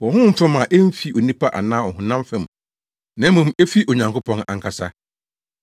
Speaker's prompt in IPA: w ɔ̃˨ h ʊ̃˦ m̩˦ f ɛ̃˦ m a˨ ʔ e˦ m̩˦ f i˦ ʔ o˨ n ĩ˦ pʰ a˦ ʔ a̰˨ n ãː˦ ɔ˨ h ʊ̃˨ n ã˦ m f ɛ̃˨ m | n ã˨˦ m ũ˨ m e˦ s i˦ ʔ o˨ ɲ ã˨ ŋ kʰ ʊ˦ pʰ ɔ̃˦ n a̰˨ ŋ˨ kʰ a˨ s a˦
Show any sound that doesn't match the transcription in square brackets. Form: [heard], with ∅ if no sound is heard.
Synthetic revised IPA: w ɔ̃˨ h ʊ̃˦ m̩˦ f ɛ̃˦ m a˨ ʔ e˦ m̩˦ f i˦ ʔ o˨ n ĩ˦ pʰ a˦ ʔ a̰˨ n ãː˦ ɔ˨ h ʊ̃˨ n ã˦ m f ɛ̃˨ m | n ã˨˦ m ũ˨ m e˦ [f] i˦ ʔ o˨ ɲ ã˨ ŋ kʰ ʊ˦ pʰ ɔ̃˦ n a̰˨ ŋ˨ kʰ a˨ s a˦